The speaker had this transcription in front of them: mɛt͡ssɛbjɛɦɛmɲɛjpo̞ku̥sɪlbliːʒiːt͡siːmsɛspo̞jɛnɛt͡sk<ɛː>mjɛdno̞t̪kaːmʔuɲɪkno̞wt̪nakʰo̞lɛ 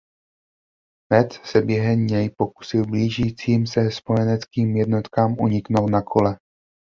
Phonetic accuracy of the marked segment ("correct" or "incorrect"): incorrect